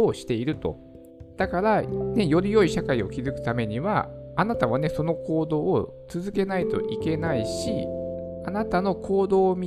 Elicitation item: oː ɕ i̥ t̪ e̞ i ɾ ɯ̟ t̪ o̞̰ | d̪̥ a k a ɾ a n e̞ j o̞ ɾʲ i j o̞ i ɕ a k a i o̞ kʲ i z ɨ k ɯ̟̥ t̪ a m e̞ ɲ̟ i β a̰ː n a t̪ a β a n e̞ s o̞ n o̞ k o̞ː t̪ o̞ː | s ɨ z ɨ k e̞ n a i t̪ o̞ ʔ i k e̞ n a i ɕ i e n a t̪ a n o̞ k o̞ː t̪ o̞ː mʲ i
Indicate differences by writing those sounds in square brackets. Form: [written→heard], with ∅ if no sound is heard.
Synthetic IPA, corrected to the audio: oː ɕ i̥ t̪ e̞ i ɾ ɯ̟ t̪ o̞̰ | d̪̥ a k a ɾ a n e̞ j o̞ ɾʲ i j o̞ i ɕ a k a i o̞ kʲ i z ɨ k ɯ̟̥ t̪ a m e̞ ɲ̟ i β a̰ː n a t̪ a β a n e̞ s o̞ n o̞ k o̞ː [t̪→d̪] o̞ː | [s→t͡s] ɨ z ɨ k e̞ n a i t̪ o̞ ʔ i k e̞ n a i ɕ i [e→a] n a t̪ a n o̞ k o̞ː [t̪→d̪] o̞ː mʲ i